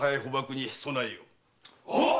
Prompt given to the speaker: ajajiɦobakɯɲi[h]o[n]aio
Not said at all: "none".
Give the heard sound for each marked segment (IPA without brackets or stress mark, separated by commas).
s, n